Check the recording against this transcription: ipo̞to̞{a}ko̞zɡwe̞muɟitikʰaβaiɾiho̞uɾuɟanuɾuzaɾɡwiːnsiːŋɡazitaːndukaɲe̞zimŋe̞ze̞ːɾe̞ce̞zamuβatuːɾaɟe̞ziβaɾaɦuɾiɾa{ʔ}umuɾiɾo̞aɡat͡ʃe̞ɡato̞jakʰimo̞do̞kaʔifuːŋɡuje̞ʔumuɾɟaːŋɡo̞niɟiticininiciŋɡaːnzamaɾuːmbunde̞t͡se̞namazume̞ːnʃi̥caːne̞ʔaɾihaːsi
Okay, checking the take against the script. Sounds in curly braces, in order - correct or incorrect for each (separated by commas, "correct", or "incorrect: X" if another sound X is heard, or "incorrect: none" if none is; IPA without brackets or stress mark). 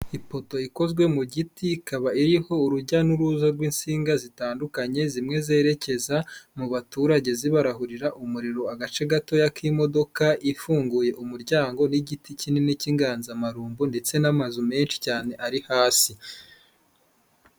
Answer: incorrect: i, correct